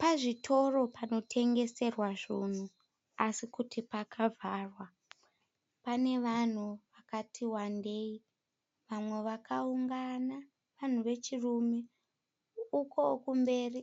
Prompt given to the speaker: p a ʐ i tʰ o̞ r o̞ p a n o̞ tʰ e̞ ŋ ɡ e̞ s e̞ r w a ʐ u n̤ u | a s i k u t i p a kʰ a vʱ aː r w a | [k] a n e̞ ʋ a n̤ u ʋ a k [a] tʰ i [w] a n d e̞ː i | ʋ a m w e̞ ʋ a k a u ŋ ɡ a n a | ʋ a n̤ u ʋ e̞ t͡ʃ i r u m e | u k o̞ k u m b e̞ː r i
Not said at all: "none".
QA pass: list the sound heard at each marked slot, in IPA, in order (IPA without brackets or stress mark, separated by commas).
p, a, w